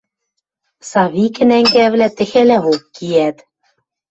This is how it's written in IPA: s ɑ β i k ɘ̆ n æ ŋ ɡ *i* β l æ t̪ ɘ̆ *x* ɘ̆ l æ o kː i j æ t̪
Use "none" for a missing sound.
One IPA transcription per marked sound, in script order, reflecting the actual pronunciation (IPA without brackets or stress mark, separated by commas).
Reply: æ, x